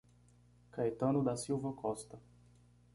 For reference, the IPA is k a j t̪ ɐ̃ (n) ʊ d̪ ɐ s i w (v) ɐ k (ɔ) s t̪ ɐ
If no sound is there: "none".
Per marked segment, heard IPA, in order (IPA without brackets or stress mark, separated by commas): n, v, ɔ